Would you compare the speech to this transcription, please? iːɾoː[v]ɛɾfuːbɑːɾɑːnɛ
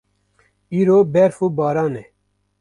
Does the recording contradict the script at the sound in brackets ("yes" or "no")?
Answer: yes